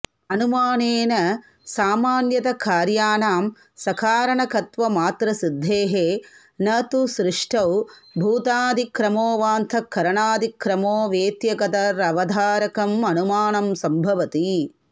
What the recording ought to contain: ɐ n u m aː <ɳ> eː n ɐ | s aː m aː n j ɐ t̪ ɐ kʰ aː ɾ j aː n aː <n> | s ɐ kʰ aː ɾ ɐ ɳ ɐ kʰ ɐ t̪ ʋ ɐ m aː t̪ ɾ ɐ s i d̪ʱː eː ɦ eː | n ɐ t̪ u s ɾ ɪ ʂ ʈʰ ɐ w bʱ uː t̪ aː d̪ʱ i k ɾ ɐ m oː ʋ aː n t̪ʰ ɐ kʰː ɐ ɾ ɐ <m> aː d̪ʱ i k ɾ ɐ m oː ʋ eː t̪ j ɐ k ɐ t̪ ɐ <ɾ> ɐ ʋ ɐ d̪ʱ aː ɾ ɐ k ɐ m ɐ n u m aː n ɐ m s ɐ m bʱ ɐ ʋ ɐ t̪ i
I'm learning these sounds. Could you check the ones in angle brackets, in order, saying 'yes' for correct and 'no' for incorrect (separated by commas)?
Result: no, no, no, yes